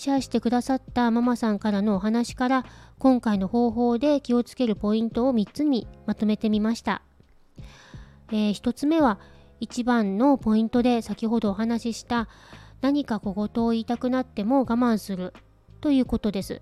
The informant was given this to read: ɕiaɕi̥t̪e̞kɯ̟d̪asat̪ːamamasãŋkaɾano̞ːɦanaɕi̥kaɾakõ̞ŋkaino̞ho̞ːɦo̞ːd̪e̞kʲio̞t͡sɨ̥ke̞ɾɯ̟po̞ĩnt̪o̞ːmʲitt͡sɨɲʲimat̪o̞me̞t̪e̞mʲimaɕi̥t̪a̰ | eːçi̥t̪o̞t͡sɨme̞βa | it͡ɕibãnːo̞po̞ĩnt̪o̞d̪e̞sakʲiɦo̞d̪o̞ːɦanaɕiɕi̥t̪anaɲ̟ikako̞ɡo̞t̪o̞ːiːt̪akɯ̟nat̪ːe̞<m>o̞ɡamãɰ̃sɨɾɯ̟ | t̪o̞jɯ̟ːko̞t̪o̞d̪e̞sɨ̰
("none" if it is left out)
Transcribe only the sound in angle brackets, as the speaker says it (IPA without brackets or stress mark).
m